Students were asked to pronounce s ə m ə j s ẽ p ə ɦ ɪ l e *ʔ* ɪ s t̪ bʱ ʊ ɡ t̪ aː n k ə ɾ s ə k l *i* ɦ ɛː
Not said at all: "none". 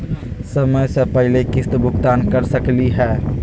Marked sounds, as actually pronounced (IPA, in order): k, i

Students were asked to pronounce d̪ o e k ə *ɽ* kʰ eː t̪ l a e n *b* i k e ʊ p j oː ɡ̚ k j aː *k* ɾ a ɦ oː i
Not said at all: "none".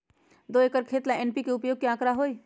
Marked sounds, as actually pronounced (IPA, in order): ɾ, p, k

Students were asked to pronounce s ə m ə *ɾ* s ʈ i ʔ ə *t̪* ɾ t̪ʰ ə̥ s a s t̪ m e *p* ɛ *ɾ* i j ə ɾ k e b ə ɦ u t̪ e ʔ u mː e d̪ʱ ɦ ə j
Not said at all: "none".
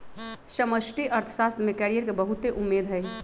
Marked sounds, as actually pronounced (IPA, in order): none, none, k, ɾ

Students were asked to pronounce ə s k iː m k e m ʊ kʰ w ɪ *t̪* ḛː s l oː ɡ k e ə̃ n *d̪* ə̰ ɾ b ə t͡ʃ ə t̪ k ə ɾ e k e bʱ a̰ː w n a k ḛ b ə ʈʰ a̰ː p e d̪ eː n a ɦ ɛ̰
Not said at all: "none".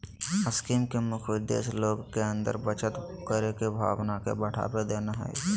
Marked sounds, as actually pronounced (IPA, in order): d̪, d̪

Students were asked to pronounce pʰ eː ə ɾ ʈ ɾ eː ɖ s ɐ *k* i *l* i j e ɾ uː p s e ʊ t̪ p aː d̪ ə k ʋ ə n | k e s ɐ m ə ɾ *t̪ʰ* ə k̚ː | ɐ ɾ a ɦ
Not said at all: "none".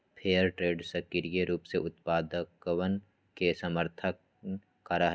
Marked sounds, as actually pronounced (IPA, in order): k, ɾ, t̪ʰ

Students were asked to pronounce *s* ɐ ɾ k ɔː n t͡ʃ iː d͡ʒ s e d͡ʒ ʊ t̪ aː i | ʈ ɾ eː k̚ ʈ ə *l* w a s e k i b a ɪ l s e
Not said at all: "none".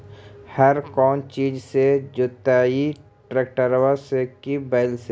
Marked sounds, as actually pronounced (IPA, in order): h, ɾ

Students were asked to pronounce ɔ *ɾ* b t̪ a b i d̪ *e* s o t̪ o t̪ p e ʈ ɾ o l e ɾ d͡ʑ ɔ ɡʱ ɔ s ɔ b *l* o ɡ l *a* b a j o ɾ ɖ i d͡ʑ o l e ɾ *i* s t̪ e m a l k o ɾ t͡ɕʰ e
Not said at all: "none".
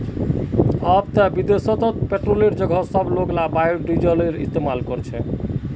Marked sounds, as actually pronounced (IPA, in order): none, e, l, a, i

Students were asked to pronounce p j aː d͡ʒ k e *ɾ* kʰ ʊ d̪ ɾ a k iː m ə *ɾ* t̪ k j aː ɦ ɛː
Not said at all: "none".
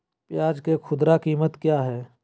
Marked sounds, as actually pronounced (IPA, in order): none, none

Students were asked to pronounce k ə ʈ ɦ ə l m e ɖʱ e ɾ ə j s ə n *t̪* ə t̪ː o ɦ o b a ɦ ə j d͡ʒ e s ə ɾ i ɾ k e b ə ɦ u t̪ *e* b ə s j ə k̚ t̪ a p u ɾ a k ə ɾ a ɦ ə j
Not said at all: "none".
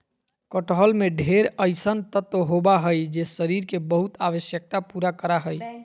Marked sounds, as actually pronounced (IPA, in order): t̪, a

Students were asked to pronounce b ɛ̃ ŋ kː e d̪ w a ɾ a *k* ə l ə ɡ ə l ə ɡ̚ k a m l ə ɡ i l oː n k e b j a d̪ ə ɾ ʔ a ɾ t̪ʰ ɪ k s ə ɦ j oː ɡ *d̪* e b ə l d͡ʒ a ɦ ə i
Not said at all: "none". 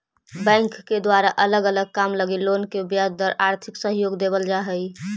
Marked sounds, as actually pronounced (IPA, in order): ʔ, d̪

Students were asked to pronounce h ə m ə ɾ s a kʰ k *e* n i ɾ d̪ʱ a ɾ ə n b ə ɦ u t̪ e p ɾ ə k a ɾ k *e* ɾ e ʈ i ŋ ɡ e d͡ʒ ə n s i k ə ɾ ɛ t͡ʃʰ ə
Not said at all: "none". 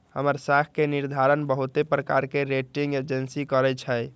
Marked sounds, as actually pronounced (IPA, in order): e, e

